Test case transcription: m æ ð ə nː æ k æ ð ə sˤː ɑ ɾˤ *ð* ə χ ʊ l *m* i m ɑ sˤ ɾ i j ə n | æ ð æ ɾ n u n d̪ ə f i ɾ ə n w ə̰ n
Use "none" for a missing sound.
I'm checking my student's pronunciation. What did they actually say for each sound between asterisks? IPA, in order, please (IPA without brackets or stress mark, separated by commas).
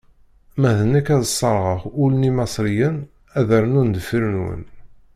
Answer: ʁ, n